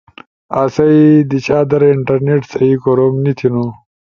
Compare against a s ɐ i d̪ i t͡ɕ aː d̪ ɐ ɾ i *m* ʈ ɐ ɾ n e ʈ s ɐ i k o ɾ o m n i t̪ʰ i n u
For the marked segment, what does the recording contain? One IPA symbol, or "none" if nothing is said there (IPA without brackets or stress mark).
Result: ɳ